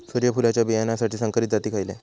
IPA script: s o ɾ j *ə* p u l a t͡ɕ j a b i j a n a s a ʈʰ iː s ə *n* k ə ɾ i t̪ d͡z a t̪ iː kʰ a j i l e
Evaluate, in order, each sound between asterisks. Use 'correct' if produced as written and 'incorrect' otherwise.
correct, incorrect: ŋ

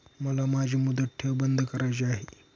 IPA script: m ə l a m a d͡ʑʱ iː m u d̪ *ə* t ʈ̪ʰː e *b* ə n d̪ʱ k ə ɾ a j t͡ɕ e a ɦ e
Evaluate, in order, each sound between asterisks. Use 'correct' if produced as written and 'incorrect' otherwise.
correct, correct

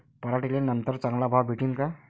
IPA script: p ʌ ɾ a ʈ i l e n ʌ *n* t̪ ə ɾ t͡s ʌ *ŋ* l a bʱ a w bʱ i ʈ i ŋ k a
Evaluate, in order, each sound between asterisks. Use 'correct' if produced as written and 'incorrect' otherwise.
correct, correct

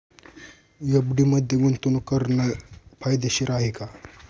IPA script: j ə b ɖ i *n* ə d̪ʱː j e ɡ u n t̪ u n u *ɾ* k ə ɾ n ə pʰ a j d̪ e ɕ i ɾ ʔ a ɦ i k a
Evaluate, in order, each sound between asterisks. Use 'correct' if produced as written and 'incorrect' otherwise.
incorrect: m, incorrect: none

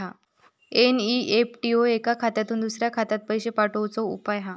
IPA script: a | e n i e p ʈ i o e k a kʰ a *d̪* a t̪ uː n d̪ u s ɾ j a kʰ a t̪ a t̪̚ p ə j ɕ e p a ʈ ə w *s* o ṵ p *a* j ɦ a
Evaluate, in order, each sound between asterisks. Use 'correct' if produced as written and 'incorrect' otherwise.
incorrect: t̪, incorrect: t͡s, correct

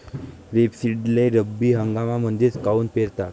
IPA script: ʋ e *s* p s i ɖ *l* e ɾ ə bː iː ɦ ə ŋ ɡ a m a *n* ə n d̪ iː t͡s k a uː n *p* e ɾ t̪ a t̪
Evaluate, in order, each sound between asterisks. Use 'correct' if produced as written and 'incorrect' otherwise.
incorrect: none, correct, incorrect: m, correct

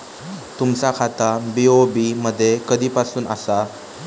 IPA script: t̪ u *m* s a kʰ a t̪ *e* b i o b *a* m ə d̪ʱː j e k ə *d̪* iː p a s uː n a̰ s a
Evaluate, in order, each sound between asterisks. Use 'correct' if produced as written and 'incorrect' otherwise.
correct, incorrect: a, incorrect: i, correct

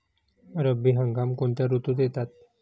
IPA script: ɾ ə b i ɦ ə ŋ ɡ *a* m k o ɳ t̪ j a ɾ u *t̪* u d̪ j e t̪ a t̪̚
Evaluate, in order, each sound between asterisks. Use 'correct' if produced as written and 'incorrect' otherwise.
correct, correct

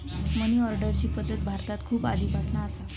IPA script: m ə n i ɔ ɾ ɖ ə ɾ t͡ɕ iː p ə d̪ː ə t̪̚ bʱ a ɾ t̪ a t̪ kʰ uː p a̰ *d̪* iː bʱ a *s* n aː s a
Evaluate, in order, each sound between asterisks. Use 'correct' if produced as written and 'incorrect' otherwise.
correct, correct

